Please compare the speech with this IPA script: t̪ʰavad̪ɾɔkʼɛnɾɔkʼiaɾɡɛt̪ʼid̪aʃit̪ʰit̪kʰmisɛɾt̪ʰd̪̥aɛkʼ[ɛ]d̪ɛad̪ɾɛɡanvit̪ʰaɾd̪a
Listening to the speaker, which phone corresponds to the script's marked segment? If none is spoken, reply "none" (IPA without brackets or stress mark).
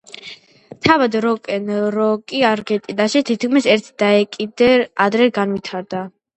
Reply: i